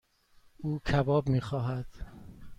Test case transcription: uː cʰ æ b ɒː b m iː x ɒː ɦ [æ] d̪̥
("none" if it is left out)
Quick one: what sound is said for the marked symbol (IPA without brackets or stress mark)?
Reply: æ